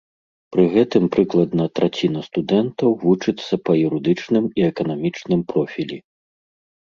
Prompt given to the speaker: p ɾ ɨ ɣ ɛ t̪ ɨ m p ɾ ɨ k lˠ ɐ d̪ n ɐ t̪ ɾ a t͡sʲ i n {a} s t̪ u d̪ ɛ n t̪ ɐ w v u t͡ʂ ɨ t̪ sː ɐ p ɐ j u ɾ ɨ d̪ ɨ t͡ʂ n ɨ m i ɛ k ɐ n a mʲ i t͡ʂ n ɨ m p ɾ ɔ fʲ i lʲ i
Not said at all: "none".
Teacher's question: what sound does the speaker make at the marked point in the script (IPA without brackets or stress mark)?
ɐ